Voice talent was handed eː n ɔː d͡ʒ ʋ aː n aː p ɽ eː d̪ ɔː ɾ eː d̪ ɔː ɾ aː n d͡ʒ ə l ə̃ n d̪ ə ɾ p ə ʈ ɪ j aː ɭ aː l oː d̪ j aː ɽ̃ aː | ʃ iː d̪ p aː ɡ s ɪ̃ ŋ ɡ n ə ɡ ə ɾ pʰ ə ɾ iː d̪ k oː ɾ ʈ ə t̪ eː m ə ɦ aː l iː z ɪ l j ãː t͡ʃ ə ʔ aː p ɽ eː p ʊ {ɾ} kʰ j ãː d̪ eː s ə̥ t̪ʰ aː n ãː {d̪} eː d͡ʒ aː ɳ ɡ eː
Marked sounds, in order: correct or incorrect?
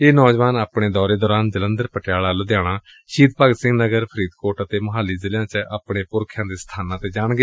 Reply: correct, incorrect

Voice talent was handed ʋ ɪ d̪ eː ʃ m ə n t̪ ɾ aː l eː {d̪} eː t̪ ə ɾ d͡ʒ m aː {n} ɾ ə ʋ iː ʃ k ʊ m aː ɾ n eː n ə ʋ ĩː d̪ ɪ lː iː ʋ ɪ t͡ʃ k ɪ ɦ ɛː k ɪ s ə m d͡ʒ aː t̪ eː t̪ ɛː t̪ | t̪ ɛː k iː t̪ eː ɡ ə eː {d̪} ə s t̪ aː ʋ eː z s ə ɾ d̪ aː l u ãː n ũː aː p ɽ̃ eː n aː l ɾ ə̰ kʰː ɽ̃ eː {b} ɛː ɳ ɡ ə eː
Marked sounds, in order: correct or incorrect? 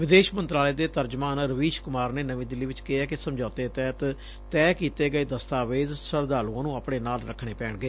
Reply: correct, correct, correct, incorrect

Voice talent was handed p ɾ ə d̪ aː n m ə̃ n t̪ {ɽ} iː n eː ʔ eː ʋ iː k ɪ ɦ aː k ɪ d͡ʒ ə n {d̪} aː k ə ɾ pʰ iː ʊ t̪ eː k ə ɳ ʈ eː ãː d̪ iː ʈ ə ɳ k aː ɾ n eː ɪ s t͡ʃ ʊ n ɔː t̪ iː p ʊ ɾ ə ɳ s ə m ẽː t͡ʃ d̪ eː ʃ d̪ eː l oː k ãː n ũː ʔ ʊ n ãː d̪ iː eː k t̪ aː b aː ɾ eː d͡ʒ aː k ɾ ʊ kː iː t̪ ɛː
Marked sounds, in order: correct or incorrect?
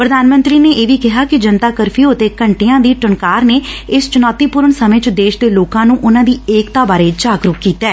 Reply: incorrect, incorrect

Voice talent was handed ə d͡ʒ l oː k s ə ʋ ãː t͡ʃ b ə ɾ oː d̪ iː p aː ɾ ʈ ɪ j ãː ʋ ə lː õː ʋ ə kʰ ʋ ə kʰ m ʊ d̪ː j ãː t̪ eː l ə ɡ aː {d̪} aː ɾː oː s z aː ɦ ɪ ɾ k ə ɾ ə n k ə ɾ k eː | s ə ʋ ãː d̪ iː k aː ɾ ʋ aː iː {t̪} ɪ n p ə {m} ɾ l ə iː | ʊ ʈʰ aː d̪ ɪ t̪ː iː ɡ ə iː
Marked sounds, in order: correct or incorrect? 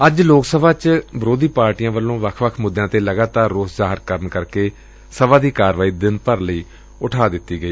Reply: incorrect, incorrect, incorrect

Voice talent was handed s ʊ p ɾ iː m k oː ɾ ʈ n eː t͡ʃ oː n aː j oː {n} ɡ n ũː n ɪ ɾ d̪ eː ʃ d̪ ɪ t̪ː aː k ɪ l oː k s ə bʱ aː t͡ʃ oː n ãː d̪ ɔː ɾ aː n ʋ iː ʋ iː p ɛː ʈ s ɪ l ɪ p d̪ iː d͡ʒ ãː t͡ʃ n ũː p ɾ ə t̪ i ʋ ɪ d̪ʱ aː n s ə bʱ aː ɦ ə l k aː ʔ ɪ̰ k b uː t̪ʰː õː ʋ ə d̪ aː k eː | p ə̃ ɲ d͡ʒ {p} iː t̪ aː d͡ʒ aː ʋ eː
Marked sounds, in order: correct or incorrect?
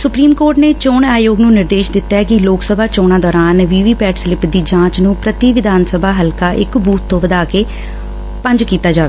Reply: incorrect, incorrect

